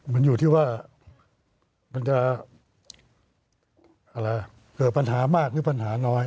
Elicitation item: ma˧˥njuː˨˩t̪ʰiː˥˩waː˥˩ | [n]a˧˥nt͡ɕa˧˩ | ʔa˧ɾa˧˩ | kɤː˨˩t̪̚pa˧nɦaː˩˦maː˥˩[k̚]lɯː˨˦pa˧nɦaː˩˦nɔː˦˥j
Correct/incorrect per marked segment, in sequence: incorrect, correct

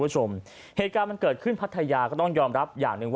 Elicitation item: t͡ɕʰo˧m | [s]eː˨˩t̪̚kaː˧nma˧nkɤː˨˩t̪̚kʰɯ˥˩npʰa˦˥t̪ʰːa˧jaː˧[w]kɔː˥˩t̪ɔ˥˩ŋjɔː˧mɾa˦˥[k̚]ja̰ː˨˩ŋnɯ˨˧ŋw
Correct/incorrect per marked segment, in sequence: incorrect, incorrect, incorrect

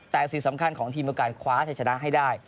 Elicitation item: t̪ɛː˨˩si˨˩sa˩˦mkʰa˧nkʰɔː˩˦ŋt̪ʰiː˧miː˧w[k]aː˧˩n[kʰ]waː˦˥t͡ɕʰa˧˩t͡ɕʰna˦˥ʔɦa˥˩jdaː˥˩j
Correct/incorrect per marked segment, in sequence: correct, correct

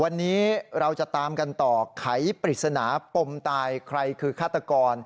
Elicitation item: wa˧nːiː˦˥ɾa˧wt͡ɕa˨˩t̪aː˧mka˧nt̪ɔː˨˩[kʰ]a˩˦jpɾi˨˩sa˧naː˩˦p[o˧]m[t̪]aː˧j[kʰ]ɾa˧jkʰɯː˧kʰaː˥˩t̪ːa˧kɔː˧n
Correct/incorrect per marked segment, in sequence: correct, correct, correct, correct

